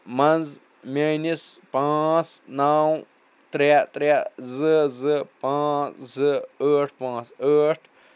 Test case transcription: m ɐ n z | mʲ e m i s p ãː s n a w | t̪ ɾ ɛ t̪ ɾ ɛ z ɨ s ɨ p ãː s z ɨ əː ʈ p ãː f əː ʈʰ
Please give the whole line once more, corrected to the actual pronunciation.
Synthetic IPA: m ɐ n z | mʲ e n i s p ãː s n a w | t̪ ɾ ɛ t̪ ɾ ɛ z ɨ z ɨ p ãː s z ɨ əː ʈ p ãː s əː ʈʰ